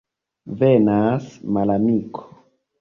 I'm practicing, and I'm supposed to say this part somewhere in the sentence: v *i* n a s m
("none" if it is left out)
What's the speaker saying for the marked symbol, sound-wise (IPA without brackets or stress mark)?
e